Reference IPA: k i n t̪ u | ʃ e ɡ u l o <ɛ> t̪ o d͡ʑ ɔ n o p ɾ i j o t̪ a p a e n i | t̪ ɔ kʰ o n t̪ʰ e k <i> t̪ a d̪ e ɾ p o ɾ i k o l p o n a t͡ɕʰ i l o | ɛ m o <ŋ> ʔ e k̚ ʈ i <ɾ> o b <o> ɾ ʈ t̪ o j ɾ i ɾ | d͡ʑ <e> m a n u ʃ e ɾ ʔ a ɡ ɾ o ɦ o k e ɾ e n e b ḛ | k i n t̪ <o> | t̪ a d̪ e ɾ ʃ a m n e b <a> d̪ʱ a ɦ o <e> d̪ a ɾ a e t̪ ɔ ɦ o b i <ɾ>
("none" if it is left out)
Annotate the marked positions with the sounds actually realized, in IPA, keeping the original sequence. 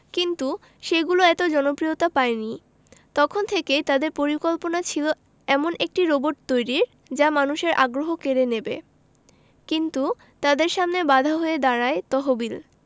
ɛ, e, n, ɾ, o, a, u, a, e, l

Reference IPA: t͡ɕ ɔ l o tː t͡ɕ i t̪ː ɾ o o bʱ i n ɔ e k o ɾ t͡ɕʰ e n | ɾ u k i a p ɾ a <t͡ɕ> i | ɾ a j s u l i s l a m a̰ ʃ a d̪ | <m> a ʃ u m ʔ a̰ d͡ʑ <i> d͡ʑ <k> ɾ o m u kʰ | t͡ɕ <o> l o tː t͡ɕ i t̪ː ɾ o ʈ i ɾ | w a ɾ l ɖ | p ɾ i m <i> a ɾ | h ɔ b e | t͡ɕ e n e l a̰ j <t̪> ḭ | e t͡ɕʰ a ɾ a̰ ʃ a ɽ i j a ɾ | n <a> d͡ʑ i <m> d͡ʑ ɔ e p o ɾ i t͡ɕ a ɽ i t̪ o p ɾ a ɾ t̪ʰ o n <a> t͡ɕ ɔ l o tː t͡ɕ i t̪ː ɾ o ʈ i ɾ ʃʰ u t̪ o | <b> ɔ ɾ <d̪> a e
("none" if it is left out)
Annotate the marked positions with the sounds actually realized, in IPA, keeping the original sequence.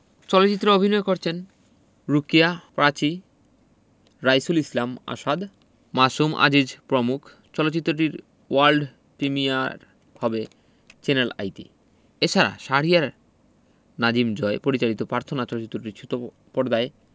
t͡ɕ, m, i, p, ɔ, i, t̪, a, m, a, p, d̪

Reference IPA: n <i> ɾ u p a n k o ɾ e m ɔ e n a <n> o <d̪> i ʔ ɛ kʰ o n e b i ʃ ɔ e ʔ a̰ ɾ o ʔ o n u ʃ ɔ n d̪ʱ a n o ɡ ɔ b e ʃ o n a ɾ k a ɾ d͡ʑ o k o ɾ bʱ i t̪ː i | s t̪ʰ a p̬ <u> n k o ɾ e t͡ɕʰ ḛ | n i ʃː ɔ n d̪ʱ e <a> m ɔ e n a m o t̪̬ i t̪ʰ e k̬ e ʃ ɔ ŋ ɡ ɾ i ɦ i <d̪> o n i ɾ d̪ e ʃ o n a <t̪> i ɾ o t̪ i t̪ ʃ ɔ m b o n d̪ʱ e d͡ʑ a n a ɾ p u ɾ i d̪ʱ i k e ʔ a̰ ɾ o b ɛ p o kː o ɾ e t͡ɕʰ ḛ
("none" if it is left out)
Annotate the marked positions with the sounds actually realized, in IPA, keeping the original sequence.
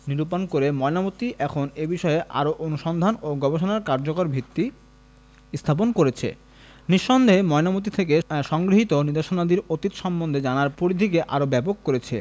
i, m, t̪, o, e, t̪, d̪

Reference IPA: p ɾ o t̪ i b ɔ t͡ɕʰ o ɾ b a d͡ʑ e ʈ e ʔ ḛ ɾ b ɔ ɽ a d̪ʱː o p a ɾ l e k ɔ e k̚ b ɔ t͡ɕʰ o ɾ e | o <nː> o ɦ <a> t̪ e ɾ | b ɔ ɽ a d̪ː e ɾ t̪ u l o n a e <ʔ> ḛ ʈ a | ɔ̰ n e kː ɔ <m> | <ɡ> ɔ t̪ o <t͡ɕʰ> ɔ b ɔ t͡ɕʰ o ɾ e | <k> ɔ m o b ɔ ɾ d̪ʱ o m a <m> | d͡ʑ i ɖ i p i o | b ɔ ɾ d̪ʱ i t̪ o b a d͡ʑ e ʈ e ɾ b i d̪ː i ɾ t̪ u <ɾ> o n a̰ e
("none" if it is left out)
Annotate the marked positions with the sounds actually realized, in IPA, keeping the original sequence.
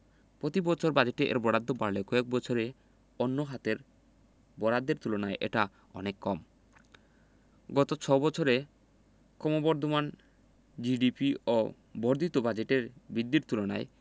nː, a, ʔ, m, ɡ, t͡ɕʰ, k, n, l

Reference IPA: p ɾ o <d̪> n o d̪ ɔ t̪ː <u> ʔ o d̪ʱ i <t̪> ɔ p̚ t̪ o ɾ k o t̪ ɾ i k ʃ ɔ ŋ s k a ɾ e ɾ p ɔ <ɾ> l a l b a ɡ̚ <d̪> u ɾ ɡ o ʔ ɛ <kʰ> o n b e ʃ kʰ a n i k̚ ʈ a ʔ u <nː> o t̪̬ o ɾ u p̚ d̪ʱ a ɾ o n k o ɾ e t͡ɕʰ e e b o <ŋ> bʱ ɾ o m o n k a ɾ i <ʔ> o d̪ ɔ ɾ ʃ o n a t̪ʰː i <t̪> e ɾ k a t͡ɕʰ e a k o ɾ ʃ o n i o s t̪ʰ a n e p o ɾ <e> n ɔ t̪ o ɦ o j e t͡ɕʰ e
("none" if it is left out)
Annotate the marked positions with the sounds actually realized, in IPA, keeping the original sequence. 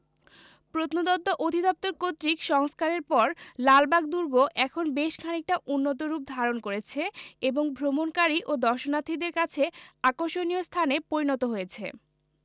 t̪, o, d̪, ɾ, d̪, kʰ, nː, ŋ, ʔ, d̪, i

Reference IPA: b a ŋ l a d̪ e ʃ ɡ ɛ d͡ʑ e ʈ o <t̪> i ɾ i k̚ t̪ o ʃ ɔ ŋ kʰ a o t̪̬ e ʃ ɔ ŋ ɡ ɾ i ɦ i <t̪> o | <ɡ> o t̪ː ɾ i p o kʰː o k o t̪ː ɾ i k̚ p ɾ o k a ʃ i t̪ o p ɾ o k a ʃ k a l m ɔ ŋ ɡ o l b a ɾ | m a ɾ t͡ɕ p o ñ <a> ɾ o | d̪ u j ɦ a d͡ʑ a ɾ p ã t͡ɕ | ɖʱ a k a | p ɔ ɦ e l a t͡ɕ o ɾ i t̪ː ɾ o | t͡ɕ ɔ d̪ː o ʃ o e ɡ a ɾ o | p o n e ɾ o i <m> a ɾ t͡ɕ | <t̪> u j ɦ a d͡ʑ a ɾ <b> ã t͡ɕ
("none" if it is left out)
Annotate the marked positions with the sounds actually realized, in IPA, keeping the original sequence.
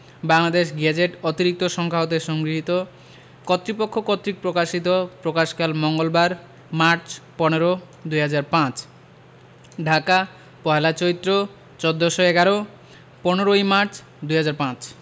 t̪, t̪, k, e, m, d̪, p

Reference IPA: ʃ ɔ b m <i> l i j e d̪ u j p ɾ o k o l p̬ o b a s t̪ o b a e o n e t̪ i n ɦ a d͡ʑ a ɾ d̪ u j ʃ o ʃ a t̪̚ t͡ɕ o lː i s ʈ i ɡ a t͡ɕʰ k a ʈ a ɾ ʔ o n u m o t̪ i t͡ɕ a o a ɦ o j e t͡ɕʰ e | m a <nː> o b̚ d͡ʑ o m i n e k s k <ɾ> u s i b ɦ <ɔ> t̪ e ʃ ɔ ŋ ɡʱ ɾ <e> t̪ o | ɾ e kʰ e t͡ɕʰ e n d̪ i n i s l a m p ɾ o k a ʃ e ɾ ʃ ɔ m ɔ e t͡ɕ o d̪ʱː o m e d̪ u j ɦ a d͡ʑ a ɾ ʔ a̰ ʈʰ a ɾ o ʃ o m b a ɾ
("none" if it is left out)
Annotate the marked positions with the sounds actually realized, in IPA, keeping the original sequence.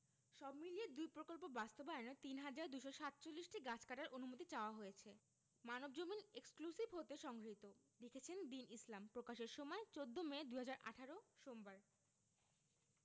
i, n, l, o, i

